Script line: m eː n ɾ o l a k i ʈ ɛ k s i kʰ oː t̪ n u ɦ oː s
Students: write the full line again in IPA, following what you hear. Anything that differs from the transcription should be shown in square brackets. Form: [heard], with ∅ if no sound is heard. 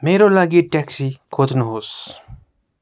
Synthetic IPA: m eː [∅] ɾ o l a [ɡ] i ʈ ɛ k s i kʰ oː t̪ n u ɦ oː s